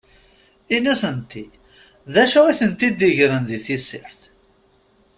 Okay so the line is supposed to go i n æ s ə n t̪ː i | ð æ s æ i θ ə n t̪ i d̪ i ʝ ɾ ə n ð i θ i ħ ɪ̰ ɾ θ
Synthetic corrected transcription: i n æ s ə n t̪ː i | ð æ ʃ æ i θ ə n t̪ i d̪ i ʝ ɾ ə n ð i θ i s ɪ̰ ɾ θ